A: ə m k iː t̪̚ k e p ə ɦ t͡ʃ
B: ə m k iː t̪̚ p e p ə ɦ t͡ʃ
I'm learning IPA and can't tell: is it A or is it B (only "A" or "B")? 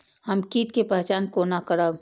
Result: A